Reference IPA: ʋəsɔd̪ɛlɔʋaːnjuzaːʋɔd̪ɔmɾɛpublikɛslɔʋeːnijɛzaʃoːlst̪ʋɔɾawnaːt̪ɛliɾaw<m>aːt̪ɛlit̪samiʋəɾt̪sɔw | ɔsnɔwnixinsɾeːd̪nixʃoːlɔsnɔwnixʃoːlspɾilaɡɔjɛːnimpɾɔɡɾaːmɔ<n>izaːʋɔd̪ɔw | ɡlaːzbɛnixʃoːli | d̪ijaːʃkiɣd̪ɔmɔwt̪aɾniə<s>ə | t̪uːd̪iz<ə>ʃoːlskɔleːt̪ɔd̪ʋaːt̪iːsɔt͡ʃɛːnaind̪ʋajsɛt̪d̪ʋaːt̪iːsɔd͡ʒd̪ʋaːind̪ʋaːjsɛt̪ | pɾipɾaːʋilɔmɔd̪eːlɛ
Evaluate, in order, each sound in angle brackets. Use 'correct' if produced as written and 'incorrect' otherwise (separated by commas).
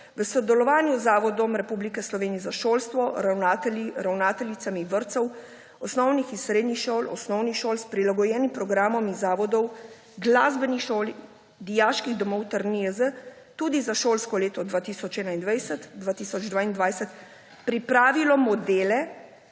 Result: incorrect, incorrect, incorrect, incorrect